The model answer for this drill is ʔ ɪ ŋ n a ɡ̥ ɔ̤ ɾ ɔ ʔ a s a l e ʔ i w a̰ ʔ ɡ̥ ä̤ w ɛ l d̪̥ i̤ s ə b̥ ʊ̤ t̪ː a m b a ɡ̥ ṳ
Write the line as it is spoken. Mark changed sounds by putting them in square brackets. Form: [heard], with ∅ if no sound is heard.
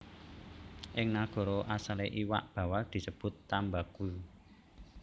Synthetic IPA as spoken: ʔ ɪ ŋ n a ɡ̥ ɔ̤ ɾ ɔ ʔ a s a l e ʔ i w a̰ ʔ [b̥] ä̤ w [a] l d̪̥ i̤ s ə b̥ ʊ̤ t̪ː a m b a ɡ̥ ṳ

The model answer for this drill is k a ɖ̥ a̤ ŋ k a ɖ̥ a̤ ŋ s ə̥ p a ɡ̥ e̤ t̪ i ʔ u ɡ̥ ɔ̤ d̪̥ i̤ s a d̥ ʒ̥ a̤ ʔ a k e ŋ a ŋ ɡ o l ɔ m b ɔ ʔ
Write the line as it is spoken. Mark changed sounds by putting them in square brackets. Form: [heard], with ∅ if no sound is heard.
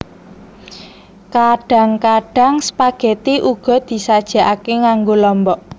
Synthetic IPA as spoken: k a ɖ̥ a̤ ŋ k a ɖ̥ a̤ ŋ s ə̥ p a ɡ̥ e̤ t̪ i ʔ u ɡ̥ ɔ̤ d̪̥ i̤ s a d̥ ʒ̥ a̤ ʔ a k e ŋ a ŋ ɡ o l ɔ m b ɔ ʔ

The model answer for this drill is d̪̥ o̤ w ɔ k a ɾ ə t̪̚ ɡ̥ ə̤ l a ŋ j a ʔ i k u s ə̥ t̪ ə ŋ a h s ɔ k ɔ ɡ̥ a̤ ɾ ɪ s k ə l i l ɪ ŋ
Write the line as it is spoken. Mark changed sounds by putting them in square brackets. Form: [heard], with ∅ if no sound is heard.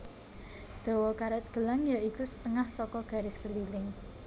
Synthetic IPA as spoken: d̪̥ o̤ w ɔ k a ɾ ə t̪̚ ɡ̥ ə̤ l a ŋ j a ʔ i k u s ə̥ t̪ ə ŋ a h s ɔ k ɔ ɡ̥ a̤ ɾ ɪ s k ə l i l ɪ ŋ

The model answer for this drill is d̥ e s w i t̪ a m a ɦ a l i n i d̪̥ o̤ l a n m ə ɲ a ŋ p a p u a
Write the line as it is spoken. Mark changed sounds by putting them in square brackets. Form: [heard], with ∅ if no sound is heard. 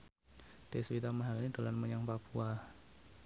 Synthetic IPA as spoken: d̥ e s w i t̪ a m a ɦ a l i n i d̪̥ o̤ l a n m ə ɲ a ŋ p a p u a

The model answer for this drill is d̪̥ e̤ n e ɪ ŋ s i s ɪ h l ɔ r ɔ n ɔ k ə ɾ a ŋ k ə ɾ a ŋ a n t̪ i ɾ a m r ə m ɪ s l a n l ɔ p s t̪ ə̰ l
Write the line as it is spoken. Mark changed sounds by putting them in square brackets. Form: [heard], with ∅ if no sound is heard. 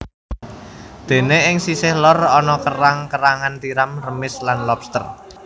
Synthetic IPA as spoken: d̪̥ e̤ n e ɪ ŋ s i s ɪ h l ɔ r ɔ n ɔ k ə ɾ a ŋ k ə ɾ a ŋ a n t̪ i ɾ a m r ə m ɪ s l a n l ɔ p s t̪ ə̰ [r]

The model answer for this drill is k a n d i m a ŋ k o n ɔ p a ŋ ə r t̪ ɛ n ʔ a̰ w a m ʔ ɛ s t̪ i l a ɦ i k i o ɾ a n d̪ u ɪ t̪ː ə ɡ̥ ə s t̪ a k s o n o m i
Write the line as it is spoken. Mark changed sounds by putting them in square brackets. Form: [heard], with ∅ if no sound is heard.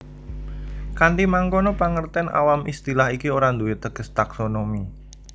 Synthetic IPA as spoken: k a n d i m a ŋ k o n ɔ p a ŋ ə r t̪ ɛ n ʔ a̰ w a m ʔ [i] s t̪ i l a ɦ i k i o ɾ a n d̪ u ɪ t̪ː ə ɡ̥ ə s t̪ a k s o n o m i

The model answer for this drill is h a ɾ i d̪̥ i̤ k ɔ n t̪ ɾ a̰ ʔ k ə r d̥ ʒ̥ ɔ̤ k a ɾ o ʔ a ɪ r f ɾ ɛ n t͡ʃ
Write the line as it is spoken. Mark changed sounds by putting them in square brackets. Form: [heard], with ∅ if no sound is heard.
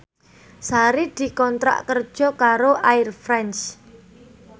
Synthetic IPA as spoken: [s] a ɾ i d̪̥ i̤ k ɔ n t̪ ɾ a̰ ʔ k ə r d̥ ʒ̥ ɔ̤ k a ɾ o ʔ a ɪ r f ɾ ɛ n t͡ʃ

